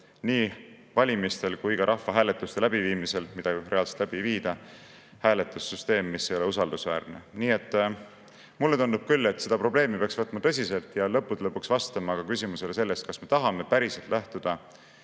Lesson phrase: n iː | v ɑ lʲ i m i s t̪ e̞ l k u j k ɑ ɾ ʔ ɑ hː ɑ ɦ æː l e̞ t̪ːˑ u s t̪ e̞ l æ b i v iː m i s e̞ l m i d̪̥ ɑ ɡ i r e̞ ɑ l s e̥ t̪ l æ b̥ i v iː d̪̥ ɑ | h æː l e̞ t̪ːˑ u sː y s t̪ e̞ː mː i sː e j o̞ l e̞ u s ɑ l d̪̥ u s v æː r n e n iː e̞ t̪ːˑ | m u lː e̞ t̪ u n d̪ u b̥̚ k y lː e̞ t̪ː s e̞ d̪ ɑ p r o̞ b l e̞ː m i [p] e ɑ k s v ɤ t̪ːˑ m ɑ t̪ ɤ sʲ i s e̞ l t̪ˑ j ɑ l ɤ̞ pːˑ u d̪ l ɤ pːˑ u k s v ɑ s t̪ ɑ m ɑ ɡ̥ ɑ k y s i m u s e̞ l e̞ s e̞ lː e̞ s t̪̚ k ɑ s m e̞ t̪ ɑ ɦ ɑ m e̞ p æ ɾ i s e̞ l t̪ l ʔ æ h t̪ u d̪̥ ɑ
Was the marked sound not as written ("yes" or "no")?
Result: no